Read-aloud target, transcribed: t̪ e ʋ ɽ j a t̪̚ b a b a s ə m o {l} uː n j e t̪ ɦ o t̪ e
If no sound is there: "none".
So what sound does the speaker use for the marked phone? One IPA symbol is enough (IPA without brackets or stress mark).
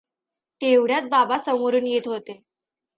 ɾ